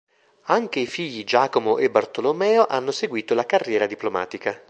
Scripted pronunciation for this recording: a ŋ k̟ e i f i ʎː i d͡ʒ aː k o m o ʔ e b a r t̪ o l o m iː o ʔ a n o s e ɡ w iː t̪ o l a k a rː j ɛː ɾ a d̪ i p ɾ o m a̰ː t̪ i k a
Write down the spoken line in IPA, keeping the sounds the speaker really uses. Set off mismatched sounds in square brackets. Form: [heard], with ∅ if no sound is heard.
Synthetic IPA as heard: a ŋ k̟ e i f i ʎː i d͡ʒ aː k o m o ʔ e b a r t̪ o l o m [ɛː] o ʔ a [nː] o s e ɡ w iː t̪ o l a k a rː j ɛː ɾ a d̪ i p [l] o m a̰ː t̪ i k a

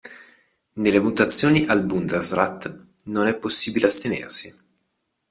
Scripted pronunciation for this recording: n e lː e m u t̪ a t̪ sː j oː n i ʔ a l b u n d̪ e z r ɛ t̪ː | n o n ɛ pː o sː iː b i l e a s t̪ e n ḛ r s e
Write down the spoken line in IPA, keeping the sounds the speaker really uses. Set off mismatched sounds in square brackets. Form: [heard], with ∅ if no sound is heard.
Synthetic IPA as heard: n e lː e m u t̪ a t̪ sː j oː n i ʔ a l b u n d̪ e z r [a] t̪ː | n o n ɛ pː o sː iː b i l e a s t̪ e n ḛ r s [i]

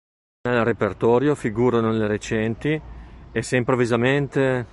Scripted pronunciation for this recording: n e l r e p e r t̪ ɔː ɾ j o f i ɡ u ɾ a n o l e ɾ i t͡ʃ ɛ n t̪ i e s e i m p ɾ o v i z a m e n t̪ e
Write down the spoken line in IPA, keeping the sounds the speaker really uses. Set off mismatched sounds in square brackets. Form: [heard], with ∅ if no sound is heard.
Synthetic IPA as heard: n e l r e p e r t̪ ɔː ɾ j o f i ɡ [uː] ɾ a n o l e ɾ [e] t͡ʃ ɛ n t̪ i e s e i m p ɾ o v i z a m e n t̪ e

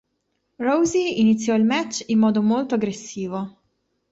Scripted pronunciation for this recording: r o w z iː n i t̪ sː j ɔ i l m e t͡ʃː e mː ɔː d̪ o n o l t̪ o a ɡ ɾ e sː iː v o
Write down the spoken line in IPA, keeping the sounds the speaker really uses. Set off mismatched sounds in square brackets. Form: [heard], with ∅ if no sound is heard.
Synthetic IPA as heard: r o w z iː n i t̪ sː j ɔ i l m [ɛ] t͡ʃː [i] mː ɔː d̪ o [m] o l t̪ o a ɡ ɾ e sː iː v o

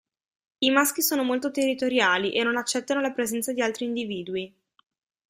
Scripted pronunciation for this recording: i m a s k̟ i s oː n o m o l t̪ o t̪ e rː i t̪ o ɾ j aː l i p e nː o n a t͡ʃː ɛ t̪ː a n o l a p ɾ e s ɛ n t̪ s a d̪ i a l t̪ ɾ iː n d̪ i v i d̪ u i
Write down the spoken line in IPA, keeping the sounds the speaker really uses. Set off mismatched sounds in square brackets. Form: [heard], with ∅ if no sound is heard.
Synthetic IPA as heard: i m a s k̟ i s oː n o m o l t̪ o t̪ e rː i t̪ o ɾ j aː l i [ʔ] e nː o n a t͡ʃː ɛ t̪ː a n o l a p ɾ e [z] ɛ n t̪ s a d̪ i a l t̪ ɾ iː n d̪ i v [iː] d̪ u i

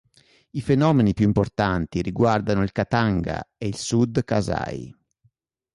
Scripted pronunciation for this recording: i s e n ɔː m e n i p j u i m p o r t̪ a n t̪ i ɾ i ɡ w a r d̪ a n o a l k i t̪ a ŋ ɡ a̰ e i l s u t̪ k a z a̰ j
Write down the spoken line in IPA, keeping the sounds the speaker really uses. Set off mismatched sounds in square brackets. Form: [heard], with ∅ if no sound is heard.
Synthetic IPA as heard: i [f] e n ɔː m e n i p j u i m p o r t̪ a n t̪ i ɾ i ɡ w a r d̪ a n o [i] l k [a] t̪ a ŋ ɡ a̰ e i l s u [d̪] k a z a̰ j

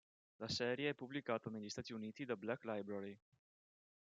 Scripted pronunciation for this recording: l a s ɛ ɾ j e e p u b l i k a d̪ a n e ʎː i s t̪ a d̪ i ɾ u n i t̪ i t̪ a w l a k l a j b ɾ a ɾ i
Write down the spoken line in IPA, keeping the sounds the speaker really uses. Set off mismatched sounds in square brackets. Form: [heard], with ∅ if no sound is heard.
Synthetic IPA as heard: l a s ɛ ɾ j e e p u b l i k a [t̪] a n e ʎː i s t̪ a [t̪] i [∅] u n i t̪ i [d̪] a [b] l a k l a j b ɾ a ɾ i

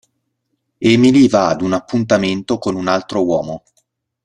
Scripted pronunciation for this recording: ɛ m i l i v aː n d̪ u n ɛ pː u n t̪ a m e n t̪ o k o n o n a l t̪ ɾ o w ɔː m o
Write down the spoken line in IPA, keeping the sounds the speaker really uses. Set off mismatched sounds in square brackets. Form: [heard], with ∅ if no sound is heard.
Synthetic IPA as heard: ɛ m i l i v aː [∅] d̪ u n [a] pː u n t̪ a m e n t̪ o k o n [u] n a l t̪ ɾ o w ɔː m o

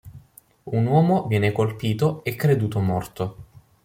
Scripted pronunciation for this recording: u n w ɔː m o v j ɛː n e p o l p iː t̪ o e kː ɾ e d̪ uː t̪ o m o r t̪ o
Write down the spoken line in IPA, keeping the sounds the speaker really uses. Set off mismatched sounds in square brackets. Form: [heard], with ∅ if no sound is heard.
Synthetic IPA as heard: u n w ɔː m o v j ɛː n e [k] o l p iː t̪ o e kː ɾ e d̪ uː t̪ o m [ɔ] r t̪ o

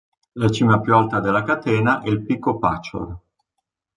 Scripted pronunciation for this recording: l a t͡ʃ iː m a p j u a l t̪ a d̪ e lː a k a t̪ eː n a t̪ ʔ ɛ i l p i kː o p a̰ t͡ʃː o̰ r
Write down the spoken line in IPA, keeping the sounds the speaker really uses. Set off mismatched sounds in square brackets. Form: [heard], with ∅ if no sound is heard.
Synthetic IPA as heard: l a t͡ʃ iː m a p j u a l t̪ a d̪ e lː a k a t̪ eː n a [∅] ʔ ɛ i l p i kː o p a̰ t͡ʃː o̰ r

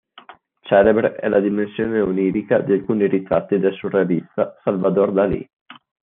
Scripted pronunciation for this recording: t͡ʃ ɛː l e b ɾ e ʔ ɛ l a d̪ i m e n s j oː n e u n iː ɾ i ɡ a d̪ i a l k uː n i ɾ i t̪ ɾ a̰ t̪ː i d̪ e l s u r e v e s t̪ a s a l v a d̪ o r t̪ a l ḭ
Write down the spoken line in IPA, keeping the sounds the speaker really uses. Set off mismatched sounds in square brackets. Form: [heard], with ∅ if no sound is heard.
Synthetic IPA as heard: t͡ʃ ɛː l e b ɾ e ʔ ɛ l a d̪ i m e n s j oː n e u n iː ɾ i [k] a d̪ i a l k uː n i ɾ i t̪ ɾ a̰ t̪ː i d̪ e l s u r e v [i] s t̪ a s a l v a d̪ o r [d̪] a l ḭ

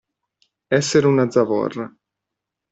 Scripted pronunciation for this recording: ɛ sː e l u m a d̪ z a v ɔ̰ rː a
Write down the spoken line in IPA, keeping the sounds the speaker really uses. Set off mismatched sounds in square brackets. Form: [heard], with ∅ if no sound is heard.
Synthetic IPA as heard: ɛ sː e [ɾ] u [n] a d̪ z a v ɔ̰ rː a

